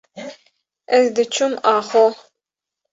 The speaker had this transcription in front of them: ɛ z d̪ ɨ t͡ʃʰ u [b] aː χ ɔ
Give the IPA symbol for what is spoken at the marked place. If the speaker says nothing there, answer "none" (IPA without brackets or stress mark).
m